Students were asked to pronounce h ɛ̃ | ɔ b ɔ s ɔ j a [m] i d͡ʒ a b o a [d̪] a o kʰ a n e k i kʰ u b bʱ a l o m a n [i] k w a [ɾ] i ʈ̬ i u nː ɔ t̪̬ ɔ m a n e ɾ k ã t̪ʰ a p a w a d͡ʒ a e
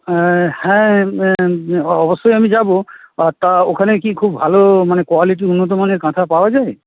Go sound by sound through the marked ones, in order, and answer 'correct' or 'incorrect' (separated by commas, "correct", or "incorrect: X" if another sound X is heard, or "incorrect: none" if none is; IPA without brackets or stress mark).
correct, incorrect: t̪, incorrect: e, incorrect: l